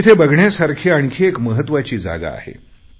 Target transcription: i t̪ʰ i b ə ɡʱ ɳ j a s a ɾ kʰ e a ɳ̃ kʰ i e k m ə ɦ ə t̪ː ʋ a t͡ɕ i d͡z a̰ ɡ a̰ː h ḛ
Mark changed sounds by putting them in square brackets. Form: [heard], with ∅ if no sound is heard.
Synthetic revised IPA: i t̪ʰ [e] b ə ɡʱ ɳ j a s a ɾ kʰ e a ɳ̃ kʰ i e k m ə ɦ ə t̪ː ʋ a t͡ɕ [iː] d͡z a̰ ɡ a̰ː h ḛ